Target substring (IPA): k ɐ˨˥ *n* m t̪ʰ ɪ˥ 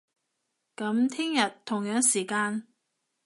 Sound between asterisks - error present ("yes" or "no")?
yes